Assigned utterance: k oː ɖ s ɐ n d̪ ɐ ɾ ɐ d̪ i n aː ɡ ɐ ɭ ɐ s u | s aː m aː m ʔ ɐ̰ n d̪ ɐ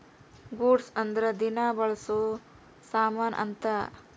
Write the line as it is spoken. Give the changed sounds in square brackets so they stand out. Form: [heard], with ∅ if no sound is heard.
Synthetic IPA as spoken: [ɡ] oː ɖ s ɐ n d̪ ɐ ɾ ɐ d̪ i n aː [b] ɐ ɭ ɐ s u | s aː m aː [n] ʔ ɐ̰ n [t̪] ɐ